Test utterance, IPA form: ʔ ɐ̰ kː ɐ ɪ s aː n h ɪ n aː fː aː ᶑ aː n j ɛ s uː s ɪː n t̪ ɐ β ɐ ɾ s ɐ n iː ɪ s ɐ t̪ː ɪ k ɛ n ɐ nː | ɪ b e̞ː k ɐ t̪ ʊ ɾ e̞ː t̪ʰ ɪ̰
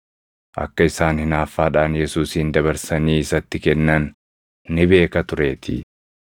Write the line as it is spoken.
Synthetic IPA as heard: ʔ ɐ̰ kː ɐ ɪ s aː n h ɪ n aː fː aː ᶑ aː n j ɛ s uː s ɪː n d̪ ɐ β ɐ ɾ s ɐ n iː ɪ s ɐ t̪ː ɪ k ɛ nː ɐ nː | ɪ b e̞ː k ɐ t̪ ʊ ɾ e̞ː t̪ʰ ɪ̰